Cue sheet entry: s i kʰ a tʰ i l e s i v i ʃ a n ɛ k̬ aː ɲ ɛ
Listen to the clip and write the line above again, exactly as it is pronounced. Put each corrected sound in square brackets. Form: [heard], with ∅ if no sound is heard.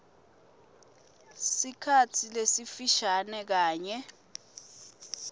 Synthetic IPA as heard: s i kʰ a tʰ i l e s i [f] i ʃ a n ɛ k̬ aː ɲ ɛ